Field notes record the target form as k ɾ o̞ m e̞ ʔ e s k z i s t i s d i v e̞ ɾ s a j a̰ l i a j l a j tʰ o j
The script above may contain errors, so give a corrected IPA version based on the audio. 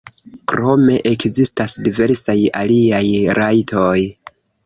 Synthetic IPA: k ɾ o̞ m e̞ ʔ e k z i s t a s d i v e̞ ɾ s a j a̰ l i a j ɾ a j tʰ o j